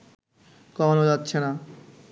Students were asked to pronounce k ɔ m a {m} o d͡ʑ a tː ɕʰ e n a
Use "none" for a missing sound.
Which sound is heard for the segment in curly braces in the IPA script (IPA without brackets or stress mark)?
n